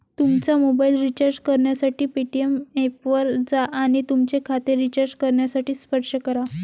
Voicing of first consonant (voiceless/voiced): voiceless